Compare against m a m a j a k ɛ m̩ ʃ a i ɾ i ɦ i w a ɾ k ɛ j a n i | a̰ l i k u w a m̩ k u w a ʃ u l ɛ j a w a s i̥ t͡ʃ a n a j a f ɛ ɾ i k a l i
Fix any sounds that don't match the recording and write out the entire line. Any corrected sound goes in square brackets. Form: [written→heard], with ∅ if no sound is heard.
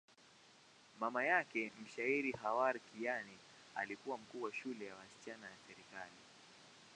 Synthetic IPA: m a m a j a k ɛ m̩ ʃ a i ɾ i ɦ [i→a] w a ɾ k [ɛ→i] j a n i | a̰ l i k u w a m̩ k [u→uː] w a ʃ u l ɛ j a w a s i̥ t͡ʃ a n a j a [f→s] ɛ ɾ i k a l i